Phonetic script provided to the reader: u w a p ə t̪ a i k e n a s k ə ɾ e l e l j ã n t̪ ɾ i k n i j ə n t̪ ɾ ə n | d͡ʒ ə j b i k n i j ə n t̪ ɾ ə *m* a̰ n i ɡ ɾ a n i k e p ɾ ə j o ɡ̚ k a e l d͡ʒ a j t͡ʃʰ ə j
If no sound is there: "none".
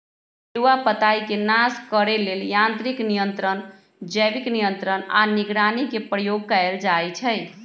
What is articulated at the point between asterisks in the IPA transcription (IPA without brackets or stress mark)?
n